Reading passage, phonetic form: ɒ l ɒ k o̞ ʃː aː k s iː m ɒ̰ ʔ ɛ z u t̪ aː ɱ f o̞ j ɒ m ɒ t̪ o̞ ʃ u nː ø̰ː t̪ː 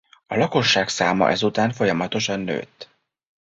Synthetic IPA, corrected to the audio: ɒ l ɒ k o̞ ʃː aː k s aː m ɒ̰ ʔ ɛ z u t̪ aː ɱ f o̞ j ɒ m ɒ t̪ o̞ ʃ ɒ nː ø̰ː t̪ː